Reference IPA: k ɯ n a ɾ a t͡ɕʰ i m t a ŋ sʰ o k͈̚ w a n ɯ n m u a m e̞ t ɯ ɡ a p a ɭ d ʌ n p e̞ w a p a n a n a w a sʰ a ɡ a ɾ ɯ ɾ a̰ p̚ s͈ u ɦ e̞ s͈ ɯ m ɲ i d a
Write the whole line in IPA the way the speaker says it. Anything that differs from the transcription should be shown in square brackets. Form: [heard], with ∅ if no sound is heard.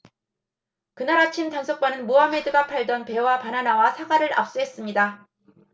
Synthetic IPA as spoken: k ɯ n a ɾ a t͡ɕʰ i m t a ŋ sʰ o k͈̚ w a n ɯ n m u a m e̞ [d] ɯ ɡ a [pʰ] a ɭ d ʌ n p e̞ w a p a n a n a w a sʰ a ɡ a ɾ ɯ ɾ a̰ p̚ s͈ u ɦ e̞ s͈ ɯ m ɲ i d a